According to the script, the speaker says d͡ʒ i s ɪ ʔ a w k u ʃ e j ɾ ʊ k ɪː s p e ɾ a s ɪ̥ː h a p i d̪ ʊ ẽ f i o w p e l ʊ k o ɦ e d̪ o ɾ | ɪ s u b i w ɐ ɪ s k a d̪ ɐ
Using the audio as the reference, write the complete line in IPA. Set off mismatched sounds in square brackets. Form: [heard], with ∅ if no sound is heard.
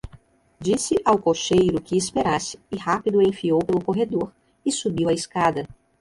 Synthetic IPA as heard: d͡ʒ i s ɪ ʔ a w k [o] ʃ e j ɾ ʊ k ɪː s p e ɾ a s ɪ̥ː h a p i d̪ ʊ ẽ f i o w p e l ʊ k o ɦ e d̪ o ɾ | ɪ s u b i w ɐ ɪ s k a d̪ ɐ